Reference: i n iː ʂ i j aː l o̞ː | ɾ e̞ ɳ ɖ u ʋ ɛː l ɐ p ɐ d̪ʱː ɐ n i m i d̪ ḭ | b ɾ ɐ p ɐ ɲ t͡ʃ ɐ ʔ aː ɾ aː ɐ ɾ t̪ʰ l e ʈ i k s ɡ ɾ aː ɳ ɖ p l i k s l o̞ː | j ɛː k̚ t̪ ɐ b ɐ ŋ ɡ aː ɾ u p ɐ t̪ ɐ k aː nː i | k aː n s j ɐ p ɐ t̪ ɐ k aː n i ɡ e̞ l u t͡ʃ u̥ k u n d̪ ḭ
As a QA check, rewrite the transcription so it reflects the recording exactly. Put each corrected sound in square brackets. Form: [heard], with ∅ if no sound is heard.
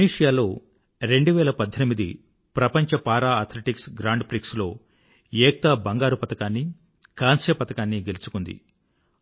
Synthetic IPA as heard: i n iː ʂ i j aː l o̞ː | ɾ e̞ ɳ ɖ u ʋ ɛː l ɐ p ɐ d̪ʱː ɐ n i m i d̪ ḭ | [p] ɾ ɐ p ɐ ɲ t͡ʃ ɐ [p] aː ɾ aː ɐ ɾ t̪ʰ l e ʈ i k s ɡ ɾ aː ɳ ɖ p [ɾ] i k s l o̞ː | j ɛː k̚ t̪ ɐ b ɐ ŋ ɡ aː ɾ u p ɐ t̪ ɐ k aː nː i | k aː n s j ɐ p ɐ t̪ ɐ k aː [nː] i ɡ e̞ l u t͡ʃ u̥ k u n d̪ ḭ